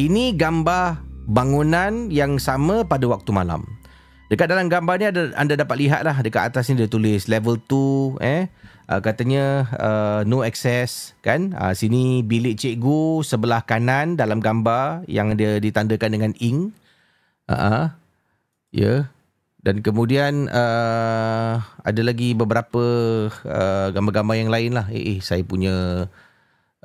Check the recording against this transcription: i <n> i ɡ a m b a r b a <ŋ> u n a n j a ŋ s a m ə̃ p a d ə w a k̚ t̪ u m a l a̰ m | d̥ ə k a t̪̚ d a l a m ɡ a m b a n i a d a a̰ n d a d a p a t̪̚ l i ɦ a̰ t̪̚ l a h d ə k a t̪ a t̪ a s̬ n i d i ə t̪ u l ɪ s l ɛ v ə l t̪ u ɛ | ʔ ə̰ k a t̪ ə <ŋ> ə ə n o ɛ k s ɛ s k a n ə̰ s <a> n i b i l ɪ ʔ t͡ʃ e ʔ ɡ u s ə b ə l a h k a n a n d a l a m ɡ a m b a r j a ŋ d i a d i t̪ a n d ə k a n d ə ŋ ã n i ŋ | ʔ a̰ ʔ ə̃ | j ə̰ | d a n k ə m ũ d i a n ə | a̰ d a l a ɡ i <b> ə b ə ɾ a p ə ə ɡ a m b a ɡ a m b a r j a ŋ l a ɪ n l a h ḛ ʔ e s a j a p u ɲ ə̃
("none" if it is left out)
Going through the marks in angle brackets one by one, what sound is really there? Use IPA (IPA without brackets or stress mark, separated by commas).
n, ŋ, ɲ, i, b